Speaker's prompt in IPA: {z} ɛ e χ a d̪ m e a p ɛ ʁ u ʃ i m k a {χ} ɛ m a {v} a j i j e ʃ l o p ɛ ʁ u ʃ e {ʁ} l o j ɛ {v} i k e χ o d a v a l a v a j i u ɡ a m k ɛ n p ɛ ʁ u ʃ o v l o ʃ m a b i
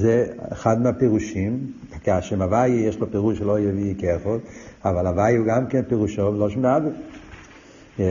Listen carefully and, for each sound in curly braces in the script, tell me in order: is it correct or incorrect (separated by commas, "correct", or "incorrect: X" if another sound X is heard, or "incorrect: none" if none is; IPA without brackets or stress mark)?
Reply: correct, incorrect: ʃ, correct, incorrect: none, correct